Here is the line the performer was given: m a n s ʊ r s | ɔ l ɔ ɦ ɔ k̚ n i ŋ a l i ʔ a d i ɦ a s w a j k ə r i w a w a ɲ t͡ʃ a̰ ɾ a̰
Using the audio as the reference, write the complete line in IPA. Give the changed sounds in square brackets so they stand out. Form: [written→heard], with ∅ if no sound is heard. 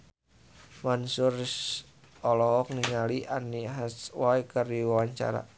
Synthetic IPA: m a n s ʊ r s | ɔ l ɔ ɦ ɔ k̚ n i ŋ a l i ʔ a [d→n] i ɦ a s w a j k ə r i w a w a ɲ t͡ʃ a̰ ɾ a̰

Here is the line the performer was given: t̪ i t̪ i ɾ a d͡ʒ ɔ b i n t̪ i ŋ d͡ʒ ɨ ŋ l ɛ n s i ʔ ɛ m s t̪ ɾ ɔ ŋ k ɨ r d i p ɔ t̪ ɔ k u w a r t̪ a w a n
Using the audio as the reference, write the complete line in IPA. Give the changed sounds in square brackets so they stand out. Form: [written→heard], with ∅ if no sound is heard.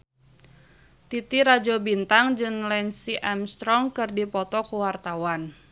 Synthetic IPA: t̪ i t̪ i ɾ a d͡ʒ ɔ b i n t̪ [i→a] ŋ d͡ʒ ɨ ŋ l ɛ n s i ʔ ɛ m s t̪ ɾ ɔ ŋ k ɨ r d i p ɔ t̪ ɔ k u w a r t̪ a w a n

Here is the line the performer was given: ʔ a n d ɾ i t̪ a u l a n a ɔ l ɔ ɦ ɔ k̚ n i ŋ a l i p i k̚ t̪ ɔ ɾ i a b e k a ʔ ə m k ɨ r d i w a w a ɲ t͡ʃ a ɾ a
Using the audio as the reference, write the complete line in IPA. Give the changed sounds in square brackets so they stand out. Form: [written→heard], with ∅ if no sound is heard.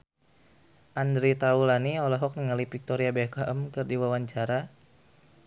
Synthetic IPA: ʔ a n d ɾ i t̪ a u l a n [a→i] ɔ l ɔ ɦ ɔ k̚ n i ŋ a l i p i k̚ t̪ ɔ ɾ i a b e k a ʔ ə m k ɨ r d i w a w a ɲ t͡ʃ a ɾ a

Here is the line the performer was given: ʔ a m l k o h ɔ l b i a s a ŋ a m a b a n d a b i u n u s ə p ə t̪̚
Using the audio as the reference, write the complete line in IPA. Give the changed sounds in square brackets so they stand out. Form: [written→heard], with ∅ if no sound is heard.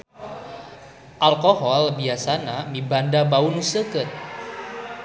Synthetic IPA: ʔ a [m→∅] l k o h ɔ l b i a s a [ŋ→n] a m [a→i] b a n d a b [i→a] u n u s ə [p→k] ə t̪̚

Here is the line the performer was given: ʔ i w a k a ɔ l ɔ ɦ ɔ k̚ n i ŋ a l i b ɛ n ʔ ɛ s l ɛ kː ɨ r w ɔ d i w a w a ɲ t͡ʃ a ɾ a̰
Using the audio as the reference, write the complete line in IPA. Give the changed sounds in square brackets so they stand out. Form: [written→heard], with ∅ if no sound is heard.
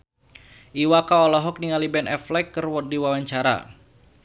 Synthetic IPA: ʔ i w a k a ɔ l ɔ ɦ ɔ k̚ n i ŋ a l i b ɛ n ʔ ɛ [s→f] l ɛ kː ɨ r w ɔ d i w a w a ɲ t͡ʃ a ɾ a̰

